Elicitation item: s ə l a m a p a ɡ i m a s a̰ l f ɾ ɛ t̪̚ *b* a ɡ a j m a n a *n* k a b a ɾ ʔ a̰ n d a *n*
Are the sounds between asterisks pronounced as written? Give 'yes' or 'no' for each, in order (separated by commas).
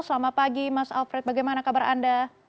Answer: yes, no, no